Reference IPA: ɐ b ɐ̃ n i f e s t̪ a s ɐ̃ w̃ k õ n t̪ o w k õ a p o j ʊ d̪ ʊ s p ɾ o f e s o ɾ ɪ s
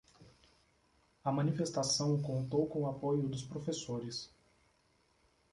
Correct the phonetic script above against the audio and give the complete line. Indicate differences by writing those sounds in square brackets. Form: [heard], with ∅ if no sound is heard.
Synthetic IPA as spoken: ɐ [m] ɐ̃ n i f e s t̪ a s ɐ̃ w̃ k õ n t̪ o w k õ a p o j ʊ d̪ ʊ s p ɾ o f e s o ɾ ɪ s